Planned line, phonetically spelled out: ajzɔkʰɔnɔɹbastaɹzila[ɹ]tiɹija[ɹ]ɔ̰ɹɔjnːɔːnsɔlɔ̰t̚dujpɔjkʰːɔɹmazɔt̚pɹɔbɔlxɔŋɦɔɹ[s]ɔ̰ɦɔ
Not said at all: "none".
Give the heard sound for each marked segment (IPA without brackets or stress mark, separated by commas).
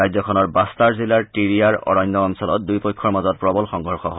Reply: ɹ, ɹ, x